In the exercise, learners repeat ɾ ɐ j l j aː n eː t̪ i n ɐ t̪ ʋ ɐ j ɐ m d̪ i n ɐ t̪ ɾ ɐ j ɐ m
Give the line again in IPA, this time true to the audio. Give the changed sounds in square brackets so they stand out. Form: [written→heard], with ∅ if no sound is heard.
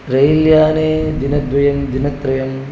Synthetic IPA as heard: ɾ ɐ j l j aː n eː [t̪→d̪] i n ɐ [t̪→d̪] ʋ ɐ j ɐ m d̪ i n ɐ t̪ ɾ ɐ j ɐ m